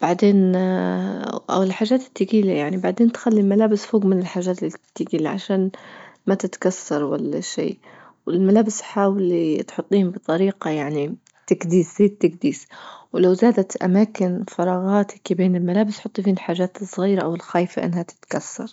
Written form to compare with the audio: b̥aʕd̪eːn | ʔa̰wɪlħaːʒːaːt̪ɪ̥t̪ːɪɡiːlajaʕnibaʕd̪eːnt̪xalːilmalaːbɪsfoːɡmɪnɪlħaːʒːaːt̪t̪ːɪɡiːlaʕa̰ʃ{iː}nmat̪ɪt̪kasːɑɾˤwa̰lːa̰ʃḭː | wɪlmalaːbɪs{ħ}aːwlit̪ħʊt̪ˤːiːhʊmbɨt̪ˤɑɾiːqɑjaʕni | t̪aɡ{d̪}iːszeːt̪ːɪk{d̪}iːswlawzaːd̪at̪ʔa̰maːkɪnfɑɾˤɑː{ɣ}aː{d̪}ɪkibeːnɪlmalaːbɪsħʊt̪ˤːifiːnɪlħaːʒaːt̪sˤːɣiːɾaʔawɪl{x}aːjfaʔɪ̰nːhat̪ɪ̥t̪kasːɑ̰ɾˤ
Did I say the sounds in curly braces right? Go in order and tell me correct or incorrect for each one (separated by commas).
incorrect, correct, correct, correct, correct, incorrect, correct